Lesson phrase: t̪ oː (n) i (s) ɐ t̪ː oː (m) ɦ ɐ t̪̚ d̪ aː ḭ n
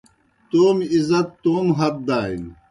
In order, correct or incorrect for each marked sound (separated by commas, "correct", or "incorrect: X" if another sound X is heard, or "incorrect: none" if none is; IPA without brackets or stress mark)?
incorrect: m, incorrect: z, correct